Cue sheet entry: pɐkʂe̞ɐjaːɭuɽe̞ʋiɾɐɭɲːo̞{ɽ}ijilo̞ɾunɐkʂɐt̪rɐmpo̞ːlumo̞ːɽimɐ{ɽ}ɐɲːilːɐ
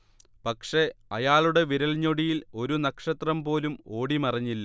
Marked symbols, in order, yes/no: yes, no

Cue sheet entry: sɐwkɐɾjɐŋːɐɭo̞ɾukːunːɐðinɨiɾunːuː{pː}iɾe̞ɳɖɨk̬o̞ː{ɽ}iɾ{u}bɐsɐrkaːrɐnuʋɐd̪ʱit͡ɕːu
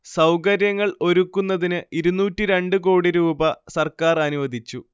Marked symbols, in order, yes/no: no, yes, no

